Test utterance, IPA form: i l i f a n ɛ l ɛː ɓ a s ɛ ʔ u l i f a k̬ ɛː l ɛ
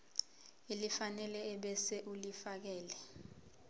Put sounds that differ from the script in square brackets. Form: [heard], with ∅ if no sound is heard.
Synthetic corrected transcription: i l i f a n ɛ l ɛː ɓ [ɛ] s ɛ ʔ u l i f a k̬ ɛː l ɛ